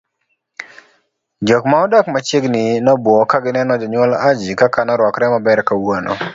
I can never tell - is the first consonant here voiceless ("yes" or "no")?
no